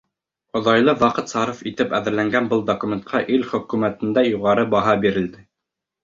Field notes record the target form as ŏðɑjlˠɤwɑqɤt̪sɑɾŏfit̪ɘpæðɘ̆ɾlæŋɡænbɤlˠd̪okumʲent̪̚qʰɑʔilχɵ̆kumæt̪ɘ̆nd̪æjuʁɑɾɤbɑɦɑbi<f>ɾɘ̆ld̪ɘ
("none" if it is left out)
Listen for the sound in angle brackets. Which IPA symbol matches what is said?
none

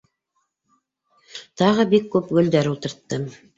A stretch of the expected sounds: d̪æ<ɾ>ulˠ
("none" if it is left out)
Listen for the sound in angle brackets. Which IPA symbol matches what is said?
ɾ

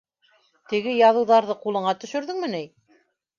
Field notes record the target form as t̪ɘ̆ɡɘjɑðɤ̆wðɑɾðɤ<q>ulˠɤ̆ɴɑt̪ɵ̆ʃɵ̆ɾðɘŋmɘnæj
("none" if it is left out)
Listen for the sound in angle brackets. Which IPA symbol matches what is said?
q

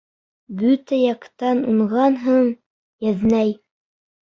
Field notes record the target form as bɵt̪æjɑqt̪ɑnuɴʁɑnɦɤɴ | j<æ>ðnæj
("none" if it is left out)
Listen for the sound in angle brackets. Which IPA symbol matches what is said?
æ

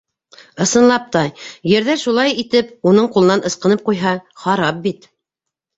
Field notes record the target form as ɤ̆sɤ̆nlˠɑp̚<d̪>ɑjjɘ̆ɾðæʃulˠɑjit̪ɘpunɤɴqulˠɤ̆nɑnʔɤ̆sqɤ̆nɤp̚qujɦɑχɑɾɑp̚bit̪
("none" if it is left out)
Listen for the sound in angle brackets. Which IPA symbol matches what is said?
t̪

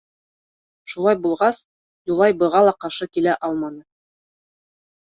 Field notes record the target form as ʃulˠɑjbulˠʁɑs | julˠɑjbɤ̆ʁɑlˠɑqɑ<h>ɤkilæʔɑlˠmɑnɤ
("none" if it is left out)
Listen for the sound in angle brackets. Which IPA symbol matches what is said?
ʃ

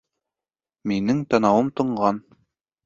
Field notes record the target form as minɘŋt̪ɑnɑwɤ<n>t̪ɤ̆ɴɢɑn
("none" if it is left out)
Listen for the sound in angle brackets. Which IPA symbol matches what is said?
m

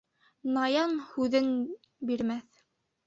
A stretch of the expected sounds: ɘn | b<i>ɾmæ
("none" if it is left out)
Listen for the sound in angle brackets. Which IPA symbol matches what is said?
i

